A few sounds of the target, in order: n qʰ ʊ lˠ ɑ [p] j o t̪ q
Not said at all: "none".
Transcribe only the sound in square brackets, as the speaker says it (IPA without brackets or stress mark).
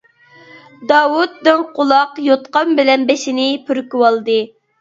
q